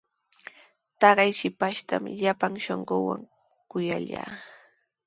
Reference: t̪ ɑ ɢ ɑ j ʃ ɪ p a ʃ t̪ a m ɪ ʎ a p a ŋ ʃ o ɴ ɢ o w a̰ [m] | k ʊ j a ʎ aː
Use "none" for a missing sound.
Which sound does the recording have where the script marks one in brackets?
ŋ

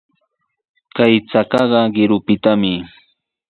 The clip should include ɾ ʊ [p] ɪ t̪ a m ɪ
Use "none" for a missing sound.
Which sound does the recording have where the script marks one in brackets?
p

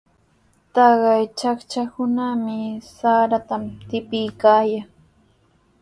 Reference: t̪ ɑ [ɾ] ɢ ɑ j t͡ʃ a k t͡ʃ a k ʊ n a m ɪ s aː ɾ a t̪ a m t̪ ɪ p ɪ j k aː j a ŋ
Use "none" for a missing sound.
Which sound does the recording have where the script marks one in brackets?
none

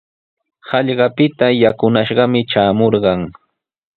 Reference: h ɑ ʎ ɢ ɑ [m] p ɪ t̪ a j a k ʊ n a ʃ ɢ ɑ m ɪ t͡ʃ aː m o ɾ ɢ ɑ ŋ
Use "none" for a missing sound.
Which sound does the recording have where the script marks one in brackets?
none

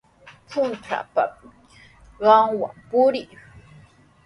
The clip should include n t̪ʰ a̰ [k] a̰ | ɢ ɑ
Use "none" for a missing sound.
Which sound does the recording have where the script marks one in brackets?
p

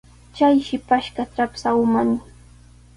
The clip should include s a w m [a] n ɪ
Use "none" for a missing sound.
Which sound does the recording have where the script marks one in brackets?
a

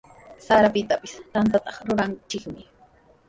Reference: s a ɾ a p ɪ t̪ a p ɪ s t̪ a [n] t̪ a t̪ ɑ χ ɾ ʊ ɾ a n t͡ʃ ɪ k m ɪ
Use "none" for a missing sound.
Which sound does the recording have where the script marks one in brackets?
n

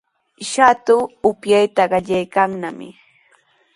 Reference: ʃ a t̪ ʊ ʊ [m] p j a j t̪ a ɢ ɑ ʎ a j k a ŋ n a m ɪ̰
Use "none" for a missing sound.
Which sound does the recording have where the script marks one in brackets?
none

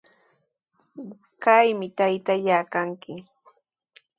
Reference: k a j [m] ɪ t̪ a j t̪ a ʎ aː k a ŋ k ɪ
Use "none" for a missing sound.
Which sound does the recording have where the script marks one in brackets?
m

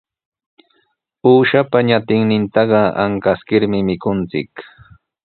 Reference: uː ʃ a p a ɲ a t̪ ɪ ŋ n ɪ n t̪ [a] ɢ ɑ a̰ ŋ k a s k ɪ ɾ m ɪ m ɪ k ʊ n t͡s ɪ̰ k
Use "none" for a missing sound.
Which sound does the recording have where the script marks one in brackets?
ɑ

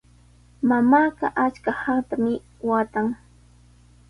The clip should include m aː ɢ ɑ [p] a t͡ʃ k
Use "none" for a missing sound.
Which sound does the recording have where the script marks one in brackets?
ʔ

